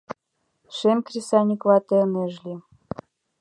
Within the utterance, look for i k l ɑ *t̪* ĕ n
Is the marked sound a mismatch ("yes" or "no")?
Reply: no